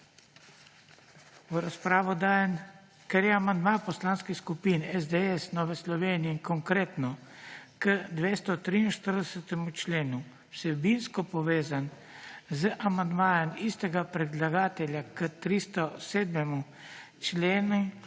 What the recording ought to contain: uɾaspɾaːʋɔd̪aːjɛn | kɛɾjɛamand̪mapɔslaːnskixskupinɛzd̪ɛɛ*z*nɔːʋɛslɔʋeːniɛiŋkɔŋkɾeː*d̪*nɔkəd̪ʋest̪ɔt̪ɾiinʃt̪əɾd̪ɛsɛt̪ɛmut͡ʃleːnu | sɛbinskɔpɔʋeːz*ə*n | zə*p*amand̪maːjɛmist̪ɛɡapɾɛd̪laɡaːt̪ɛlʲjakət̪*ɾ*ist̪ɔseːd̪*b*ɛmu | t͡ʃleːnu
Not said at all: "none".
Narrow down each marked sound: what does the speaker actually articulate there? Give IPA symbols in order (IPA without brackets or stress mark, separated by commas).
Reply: s, t̪, a, ʔ, ɾ, m